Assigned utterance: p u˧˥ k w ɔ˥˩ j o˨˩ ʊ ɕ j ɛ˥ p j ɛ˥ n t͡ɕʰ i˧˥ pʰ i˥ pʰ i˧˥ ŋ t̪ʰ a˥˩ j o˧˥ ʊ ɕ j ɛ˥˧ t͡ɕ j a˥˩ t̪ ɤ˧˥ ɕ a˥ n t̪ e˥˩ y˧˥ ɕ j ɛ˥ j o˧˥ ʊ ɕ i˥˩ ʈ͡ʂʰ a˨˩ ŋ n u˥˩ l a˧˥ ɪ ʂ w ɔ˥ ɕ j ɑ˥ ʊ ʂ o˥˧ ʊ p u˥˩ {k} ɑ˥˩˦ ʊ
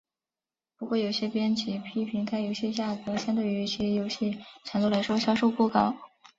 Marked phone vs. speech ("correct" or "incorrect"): correct